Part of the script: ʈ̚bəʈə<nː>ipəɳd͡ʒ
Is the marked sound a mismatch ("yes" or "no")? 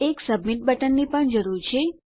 no